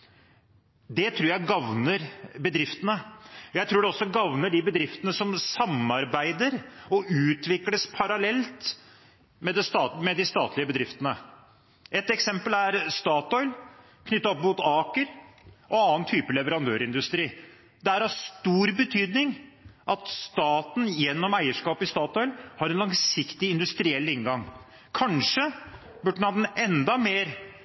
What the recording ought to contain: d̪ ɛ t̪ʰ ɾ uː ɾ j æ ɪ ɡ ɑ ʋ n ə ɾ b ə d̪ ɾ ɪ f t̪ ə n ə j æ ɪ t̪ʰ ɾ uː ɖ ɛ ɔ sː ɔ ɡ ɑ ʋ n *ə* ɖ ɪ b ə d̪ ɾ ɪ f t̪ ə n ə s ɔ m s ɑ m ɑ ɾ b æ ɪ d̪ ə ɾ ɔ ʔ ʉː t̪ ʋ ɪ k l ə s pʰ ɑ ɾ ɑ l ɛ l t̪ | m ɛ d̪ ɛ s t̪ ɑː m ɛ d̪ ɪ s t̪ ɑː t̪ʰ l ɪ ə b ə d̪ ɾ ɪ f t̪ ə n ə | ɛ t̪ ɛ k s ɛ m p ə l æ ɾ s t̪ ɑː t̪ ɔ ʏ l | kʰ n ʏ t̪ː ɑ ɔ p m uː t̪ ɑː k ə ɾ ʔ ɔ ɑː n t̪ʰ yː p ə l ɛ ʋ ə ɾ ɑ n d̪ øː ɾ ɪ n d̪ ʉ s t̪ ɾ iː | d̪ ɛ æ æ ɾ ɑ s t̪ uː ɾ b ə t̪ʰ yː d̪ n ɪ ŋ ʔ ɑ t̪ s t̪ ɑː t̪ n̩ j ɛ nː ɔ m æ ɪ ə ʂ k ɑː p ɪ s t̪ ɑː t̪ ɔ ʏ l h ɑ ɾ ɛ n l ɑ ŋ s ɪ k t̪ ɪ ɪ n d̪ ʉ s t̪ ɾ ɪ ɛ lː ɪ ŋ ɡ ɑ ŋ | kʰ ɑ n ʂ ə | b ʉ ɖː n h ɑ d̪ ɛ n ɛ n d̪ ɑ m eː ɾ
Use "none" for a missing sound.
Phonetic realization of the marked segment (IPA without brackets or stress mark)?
ə